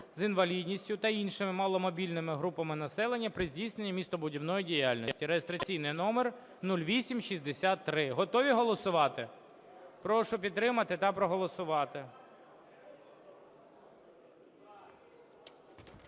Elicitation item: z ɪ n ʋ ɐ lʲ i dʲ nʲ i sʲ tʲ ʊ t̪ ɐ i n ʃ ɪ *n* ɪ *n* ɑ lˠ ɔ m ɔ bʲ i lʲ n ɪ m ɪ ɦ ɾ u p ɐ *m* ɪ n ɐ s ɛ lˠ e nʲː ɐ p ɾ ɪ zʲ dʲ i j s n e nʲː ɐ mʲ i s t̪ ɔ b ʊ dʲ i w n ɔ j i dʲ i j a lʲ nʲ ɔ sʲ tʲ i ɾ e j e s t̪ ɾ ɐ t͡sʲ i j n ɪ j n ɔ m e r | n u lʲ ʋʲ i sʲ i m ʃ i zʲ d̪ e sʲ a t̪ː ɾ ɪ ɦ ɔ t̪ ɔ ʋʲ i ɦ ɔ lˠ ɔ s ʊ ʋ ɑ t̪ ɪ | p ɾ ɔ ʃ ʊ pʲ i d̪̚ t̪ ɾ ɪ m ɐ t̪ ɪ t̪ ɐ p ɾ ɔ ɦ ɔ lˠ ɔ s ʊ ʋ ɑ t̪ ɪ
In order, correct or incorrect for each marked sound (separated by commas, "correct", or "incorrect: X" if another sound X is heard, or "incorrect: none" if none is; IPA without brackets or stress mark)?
incorrect: m, incorrect: m, correct